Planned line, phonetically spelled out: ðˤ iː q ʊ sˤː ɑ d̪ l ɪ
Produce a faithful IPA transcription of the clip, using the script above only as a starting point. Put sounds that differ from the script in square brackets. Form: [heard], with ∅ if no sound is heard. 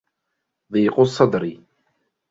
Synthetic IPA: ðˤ iː q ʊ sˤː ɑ d̪ [ɾ] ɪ